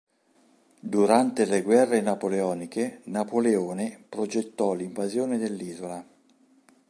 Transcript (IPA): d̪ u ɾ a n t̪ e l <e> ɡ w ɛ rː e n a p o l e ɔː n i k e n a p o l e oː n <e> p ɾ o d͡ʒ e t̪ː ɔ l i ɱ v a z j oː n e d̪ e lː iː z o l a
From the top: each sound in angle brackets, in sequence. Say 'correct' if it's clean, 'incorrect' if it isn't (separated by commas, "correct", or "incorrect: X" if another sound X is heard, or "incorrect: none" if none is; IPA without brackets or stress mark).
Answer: correct, correct